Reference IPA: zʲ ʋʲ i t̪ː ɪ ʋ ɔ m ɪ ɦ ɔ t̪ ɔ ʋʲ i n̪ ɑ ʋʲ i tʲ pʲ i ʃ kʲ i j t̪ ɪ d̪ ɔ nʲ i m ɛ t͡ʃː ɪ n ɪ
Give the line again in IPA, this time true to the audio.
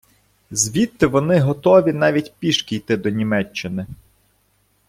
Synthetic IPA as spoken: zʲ ʋʲ i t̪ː ɪ ʋ ɔ n ɪ ɦ ɔ t̪ ɔ ʋʲ i n̪ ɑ ʋʲ i tʲ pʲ i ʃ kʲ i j t̪ ɪ d̪ ɔ nʲ i m ɛ t͡ʃː ɪ n ɪ